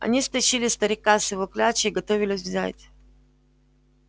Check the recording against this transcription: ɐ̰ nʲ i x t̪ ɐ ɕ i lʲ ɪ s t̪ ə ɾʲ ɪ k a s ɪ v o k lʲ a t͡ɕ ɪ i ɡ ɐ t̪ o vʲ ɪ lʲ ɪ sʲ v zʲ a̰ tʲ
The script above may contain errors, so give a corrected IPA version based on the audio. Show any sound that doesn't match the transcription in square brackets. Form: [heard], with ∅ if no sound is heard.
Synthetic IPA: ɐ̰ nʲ i [s] t̪ ɐ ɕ i lʲ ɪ s t̪ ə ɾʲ ɪ k a s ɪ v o k lʲ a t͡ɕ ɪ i ɡ ɐ t̪ o vʲ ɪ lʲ ɪ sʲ v zʲ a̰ tʲ